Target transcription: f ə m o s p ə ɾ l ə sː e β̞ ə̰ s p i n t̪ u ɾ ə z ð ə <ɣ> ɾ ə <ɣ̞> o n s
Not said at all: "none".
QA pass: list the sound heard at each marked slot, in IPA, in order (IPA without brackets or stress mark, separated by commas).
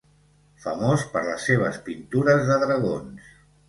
ð, ɣ̞